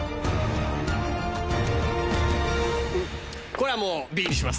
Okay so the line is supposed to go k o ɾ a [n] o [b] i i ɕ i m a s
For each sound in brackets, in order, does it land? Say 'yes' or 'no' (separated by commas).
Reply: no, yes